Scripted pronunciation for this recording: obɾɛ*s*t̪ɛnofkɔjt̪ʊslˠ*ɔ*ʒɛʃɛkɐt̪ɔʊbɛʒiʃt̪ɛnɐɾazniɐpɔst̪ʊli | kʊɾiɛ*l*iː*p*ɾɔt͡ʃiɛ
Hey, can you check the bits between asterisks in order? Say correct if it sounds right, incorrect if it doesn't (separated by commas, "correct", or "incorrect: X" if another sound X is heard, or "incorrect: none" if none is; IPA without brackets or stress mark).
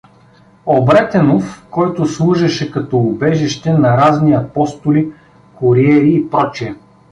incorrect: none, incorrect: u, incorrect: ɾ, correct